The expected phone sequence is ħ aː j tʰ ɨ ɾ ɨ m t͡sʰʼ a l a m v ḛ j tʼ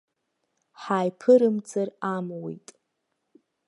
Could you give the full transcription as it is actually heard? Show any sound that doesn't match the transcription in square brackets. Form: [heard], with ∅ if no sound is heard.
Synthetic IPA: ħ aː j [pʰ] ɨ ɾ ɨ m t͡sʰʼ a [r] a m [w] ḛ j tʼ